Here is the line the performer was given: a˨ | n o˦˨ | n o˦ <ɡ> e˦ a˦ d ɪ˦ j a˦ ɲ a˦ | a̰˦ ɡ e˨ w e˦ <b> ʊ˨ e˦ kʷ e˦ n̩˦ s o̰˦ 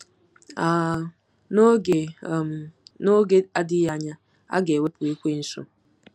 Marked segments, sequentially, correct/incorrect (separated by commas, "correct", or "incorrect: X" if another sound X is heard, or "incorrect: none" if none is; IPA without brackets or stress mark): correct, incorrect: p